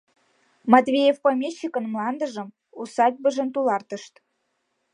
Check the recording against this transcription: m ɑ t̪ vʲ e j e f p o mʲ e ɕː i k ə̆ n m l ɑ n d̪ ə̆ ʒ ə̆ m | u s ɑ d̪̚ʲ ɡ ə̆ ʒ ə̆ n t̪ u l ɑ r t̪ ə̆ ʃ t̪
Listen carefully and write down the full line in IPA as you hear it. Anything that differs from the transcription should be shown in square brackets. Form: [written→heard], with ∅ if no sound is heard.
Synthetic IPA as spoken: m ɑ t̪ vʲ e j e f p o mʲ e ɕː i k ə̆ n m l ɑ n d̪ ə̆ ʒ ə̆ m | u s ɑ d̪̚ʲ [ɡ→b] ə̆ ʒ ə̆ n t̪ u l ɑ r t̪ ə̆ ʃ t̪